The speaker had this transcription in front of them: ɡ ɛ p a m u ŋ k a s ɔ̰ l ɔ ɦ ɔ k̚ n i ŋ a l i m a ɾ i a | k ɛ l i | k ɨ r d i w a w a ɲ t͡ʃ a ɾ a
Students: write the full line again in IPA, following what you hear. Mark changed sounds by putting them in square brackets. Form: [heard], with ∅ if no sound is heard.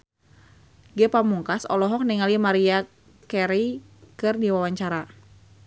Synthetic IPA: ɡ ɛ p a m u ŋ k a s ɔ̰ l ɔ ɦ ɔ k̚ n i ŋ a l i m a ɾ i a | k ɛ [ɾ] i | k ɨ r d i w a w a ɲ t͡ʃ a ɾ a